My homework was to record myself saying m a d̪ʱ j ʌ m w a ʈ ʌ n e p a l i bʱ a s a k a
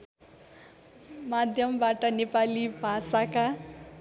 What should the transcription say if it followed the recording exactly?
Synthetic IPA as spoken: m a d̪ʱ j ʌ m b a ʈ ʌ n e p a l i bʱ a s a k a